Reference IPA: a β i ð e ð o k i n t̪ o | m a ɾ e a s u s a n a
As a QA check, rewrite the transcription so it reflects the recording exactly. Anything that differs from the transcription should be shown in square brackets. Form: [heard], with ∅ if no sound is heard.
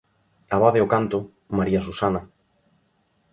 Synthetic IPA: a β [a] ð e [∅] o k [a] n t̪ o | m a ɾ [i] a s u s a n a